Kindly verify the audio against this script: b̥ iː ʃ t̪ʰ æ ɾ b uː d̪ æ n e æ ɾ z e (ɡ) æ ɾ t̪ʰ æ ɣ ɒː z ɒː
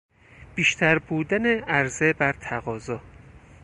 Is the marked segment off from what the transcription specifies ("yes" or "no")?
yes